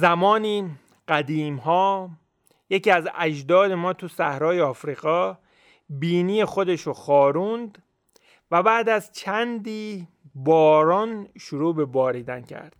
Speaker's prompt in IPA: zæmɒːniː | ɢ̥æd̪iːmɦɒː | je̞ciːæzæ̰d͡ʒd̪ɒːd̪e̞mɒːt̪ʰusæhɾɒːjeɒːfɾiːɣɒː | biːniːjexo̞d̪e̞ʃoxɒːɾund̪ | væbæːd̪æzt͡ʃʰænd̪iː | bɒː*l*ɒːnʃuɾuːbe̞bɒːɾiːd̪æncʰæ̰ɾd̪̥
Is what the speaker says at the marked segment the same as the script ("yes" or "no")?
no